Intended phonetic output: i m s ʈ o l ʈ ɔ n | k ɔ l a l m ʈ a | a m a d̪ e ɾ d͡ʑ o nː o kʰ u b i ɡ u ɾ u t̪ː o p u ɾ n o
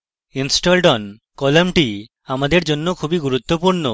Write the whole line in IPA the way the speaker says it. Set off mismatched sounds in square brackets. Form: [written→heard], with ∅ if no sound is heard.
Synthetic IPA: i [m→n] s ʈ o l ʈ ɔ n | k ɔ l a [l→∅] m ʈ [a→i] | a m a d̪ e ɾ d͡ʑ o nː o kʰ u b i ɡ u ɾ u t̪ː o p u ɾ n o